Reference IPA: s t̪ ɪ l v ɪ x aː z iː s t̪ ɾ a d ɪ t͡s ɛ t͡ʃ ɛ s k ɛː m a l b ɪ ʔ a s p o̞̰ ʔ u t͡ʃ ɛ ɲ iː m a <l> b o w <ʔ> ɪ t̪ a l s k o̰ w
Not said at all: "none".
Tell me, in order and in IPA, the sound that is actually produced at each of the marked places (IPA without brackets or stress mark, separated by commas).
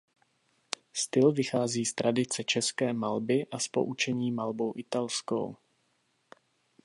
l, ʔ